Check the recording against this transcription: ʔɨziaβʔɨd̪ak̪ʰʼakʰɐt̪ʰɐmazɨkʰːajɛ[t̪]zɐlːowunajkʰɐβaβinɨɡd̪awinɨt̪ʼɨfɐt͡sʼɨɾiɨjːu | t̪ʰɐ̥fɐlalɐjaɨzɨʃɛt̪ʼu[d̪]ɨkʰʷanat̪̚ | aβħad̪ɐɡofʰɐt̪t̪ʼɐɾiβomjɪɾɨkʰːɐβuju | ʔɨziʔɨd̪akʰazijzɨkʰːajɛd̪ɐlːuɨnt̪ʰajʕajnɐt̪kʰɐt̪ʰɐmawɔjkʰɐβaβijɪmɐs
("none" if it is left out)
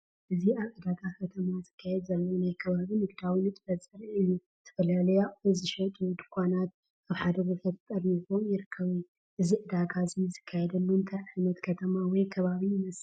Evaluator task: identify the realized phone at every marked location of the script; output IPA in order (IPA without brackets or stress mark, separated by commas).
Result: d̪, d̪